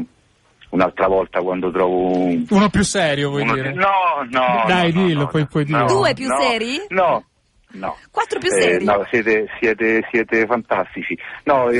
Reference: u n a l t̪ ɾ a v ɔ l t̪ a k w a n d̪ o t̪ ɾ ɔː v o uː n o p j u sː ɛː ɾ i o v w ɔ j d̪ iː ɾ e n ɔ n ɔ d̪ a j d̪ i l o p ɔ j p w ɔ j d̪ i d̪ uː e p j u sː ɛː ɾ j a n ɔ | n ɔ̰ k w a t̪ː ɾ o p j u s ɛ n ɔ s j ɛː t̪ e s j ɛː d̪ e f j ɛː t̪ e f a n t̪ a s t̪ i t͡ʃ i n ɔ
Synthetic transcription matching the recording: u n a l t̪ ɾ a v ɔ l t̪ a k w a n d̪ o t̪ ɾ ɔː v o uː n o p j u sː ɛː ɾ j o v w ɔ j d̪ iː ɾ e n ɔ n ɔ d̪ a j d̪ i l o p ɔ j p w ɔ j d̪ i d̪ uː e p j u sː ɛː ɾ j i n ɔ | n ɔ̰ k w a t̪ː ɾ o p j u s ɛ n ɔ s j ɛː t̪ e s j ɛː t̪ e s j ɛː t̪ e f a n t̪ a s t̪ i t͡ʃ i n ɔ